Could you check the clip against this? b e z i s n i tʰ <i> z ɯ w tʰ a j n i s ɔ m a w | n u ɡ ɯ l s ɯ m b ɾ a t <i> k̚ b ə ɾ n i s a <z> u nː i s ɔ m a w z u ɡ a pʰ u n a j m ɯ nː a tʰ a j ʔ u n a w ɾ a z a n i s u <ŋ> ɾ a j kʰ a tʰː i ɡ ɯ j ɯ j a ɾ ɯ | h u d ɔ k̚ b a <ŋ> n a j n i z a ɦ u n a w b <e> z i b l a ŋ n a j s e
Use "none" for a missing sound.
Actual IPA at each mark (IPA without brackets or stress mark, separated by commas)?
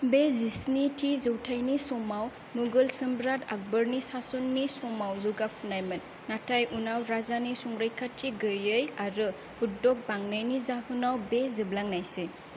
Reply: i, a, s, ŋ, ŋ, e